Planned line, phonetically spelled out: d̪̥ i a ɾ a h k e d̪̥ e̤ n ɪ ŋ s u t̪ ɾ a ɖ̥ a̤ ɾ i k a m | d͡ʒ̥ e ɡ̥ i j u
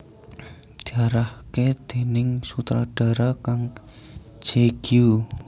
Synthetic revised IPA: d̪̥ i a ɾ a h k e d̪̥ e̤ n ɪ ŋ s u t̪ ɾ a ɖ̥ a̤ ɾ a k a ŋ | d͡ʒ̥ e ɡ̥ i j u